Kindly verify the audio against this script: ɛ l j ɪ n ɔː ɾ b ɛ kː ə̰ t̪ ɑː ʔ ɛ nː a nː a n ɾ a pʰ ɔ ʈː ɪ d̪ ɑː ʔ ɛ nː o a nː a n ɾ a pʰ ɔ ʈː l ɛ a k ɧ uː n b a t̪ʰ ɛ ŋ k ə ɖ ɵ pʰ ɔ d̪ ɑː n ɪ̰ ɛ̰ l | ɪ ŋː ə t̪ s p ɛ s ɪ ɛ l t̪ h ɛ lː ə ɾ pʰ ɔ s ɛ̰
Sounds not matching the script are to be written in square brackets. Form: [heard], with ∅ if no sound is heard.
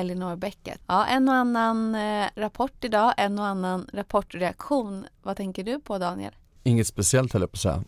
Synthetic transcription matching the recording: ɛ l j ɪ n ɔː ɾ b ɛ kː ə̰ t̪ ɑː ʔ ɛ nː a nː a n ɾ a pʰ ɔ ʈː ɪ d̪ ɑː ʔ ɛ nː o a nː a n ɾ a pʰ ɔ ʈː [ɾ] ɛ a k ɧ uː n [v] a t̪ʰ ɛ ŋ k ə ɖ ɵ pʰ ɔ d̪ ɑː n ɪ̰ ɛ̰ l | ɪ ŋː ə t̪ s p ɛ s ɪ ɛ l t̪ h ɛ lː ə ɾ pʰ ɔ s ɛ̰